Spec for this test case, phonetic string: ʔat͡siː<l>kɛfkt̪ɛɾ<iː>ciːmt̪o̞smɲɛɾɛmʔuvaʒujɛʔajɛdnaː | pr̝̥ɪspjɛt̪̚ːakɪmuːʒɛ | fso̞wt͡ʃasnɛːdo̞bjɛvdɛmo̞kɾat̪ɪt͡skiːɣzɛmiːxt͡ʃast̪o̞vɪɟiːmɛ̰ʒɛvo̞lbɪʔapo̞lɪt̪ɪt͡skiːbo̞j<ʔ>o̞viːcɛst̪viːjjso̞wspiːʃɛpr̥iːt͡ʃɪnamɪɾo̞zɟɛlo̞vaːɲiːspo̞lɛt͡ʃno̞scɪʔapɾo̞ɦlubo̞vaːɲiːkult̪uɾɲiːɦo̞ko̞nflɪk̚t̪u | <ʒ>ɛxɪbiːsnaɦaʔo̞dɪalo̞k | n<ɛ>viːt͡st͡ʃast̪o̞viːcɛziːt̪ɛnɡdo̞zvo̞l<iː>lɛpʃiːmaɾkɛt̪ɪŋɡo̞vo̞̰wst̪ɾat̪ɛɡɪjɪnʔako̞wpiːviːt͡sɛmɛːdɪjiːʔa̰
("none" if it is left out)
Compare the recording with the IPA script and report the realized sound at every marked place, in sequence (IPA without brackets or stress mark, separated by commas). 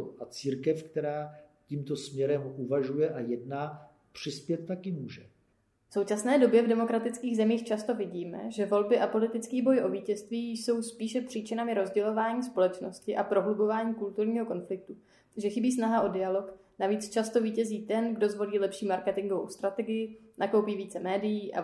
ɾ, aː, ʔ, ʒ, a, iː